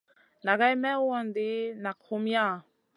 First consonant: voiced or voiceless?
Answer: voiced